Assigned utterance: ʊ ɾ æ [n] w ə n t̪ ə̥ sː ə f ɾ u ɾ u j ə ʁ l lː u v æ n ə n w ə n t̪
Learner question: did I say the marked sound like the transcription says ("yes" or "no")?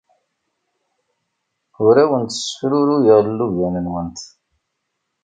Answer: no